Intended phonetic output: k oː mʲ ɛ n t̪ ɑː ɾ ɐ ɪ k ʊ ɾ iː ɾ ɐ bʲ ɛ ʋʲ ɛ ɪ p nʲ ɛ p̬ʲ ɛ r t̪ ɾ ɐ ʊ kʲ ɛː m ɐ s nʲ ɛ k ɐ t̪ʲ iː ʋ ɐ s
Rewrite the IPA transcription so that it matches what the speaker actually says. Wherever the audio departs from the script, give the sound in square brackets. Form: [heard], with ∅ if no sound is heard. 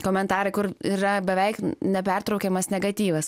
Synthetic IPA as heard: k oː mʲ ɛ n t̪ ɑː ɾ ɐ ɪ k ʊ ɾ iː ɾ ɐ bʲ ɛ ʋʲ ɛ ɪ [k] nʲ ɛ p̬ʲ ɛ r t̪ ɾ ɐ ʊ kʲ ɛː m ɐ s nʲ ɛ [ɡ] ɐ t̪ʲ iː ʋ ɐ s